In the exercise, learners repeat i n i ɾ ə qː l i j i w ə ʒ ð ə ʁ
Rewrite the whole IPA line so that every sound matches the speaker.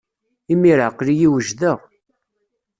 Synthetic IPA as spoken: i m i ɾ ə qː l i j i w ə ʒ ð ə ʁ